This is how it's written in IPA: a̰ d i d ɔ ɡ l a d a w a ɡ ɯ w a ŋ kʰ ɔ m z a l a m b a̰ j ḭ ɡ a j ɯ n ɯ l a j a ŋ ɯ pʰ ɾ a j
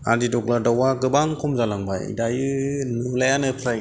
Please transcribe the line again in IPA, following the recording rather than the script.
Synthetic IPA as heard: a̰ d i d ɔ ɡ l a d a w a ɡ ɯ b a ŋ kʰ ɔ m z a l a ŋ b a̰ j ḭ d a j ɯ n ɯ l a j a n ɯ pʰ ɾ a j